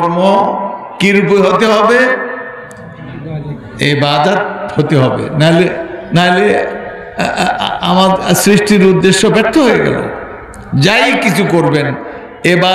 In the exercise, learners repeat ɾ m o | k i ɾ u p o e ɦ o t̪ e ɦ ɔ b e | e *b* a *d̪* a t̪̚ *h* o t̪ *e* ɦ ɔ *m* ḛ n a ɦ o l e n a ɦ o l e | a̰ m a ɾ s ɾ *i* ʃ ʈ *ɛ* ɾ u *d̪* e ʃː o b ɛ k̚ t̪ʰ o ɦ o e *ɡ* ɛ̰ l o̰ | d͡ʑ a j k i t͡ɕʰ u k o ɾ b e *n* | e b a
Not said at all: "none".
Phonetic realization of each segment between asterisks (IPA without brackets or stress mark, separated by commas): b, d̪, h, e, b, i, i, d̪ː, ɡ, n